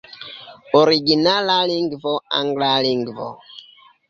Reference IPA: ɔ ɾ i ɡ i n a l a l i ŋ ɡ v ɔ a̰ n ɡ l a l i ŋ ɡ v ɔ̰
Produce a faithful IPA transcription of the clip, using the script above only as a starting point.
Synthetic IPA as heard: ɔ ɾ i ɡ i n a l a l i ŋ ɡ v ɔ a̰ ŋ ɡ l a l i ŋ ɡ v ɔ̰